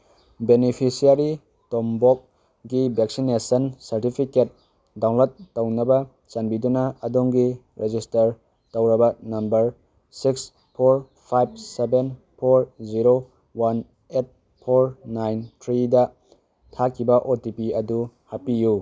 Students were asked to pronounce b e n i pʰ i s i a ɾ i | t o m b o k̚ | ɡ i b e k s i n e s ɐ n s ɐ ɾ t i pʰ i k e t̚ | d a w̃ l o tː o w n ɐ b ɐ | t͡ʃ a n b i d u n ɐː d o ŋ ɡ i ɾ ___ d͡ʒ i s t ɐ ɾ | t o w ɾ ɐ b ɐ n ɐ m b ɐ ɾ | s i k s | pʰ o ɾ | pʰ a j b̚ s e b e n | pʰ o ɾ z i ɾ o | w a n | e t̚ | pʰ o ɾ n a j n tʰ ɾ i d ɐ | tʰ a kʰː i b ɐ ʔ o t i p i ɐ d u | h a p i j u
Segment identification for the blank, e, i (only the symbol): e